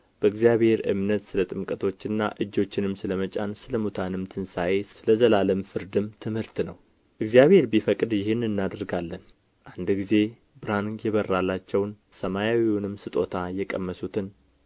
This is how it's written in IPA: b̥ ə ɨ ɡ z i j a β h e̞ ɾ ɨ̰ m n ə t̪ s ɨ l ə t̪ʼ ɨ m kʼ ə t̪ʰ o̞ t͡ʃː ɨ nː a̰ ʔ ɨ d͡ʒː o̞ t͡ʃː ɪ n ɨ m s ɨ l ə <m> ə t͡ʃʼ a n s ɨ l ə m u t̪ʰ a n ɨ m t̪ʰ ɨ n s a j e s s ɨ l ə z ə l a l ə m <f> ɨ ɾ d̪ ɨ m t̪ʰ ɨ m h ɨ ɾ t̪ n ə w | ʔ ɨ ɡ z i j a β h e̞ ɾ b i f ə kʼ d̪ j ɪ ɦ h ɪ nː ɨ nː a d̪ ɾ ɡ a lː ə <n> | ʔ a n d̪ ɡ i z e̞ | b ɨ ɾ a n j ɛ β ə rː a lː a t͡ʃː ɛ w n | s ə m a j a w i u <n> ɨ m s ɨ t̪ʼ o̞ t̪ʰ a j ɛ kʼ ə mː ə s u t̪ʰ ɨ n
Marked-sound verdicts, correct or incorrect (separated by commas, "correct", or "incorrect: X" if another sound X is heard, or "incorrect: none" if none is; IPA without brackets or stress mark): correct, correct, correct, correct